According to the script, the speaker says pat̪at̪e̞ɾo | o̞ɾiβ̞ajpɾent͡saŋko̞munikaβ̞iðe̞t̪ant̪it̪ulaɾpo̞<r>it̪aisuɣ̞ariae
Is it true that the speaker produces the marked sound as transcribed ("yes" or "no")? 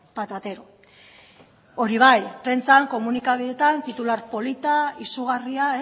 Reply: no